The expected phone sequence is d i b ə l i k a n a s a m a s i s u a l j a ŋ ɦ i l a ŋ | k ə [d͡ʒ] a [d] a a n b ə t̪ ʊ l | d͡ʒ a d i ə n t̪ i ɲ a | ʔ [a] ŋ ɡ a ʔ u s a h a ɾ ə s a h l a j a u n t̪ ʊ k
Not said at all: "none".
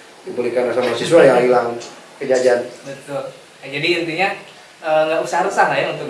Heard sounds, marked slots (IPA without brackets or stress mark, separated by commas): d͡ʒ, d͡ʒ, ə